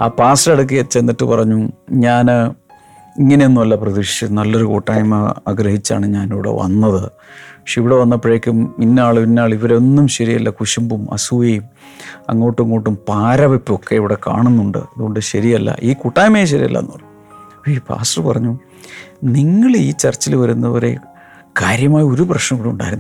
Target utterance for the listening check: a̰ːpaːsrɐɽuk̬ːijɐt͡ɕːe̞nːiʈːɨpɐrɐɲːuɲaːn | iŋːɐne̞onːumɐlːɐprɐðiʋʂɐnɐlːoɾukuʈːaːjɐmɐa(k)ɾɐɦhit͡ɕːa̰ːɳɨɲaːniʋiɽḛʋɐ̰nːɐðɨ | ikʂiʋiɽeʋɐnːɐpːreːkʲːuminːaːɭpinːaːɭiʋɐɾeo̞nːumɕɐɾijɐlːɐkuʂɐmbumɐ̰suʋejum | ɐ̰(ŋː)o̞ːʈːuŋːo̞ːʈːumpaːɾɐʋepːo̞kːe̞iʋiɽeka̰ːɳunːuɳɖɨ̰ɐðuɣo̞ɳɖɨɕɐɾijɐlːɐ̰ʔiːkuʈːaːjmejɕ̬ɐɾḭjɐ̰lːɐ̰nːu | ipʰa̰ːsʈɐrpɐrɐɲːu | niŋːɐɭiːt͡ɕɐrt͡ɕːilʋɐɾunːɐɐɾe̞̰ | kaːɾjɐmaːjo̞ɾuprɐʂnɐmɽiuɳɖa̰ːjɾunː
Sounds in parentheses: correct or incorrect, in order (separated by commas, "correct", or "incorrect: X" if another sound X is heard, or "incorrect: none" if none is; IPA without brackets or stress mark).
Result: incorrect: ɡ, correct